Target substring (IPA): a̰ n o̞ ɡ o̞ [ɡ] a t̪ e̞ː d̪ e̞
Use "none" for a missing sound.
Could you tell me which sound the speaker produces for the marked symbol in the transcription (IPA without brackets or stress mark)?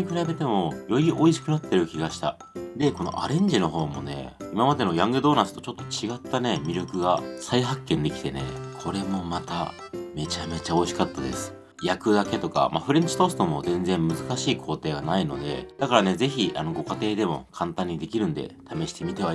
k